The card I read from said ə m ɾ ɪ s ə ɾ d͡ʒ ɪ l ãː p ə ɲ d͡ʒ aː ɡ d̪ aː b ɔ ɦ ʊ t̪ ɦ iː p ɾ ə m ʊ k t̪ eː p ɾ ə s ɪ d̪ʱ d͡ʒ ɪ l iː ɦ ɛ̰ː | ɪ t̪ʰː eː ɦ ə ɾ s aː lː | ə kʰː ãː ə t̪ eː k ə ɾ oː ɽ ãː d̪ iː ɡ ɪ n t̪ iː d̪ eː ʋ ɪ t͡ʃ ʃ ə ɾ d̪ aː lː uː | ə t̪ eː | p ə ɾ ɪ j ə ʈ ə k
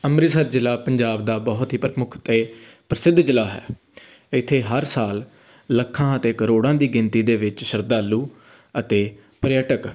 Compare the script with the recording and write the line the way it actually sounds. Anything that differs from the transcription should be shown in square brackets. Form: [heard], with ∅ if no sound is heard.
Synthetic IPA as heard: ə m ɾ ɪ s ə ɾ d͡ʒ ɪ l [aː] p ə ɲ d͡ʒ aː [b] d̪ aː b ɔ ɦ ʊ t̪ ɦ iː p ɾ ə m ʊ [kʰ] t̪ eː p ɾ ə s ɪ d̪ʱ d͡ʒ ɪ l [aː] ɦ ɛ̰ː | ɪ t̪ʰː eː ɦ ə ɾ s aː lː | ə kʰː ãː ə t̪ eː k ə ɾ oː ɽ ãː d̪ iː ɡ ɪ n t̪ iː d̪ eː ʋ ɪ t͡ʃ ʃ ə ɾ d̪ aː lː uː | ə t̪ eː | p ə ɾ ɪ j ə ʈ ə k